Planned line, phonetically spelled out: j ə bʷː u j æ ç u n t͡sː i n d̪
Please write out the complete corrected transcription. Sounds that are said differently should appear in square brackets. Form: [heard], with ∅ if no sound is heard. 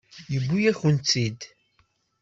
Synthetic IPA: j ə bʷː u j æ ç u n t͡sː i [∅] d̪